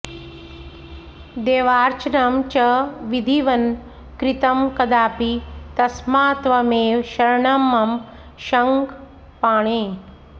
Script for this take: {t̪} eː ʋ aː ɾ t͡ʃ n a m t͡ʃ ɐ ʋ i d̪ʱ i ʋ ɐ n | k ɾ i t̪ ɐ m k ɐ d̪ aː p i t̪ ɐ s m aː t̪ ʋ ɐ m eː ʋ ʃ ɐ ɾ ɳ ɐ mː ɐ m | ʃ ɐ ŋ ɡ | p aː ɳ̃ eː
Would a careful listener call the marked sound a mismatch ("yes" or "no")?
yes